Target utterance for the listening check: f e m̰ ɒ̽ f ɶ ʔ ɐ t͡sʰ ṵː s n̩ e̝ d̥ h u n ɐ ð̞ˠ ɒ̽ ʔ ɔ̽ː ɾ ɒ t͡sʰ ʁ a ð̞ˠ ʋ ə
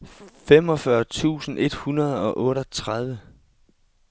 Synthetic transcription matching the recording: f e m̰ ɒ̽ f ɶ ɐ t͡sʰ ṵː s n̩ e̝ d̥ h u n ɐ ð̞ˠ ɒ̽ ʔ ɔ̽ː ɾ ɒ t͡sʰ ʁ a ð̞ˠ ʋ ə